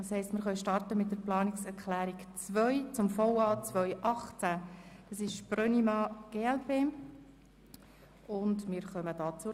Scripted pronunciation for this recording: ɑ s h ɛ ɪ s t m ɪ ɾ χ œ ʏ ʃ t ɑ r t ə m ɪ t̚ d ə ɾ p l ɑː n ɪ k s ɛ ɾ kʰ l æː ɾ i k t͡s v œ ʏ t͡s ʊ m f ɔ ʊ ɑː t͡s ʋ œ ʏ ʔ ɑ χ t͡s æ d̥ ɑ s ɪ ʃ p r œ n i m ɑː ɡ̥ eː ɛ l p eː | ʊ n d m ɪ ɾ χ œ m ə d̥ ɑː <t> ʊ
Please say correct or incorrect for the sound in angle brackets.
incorrect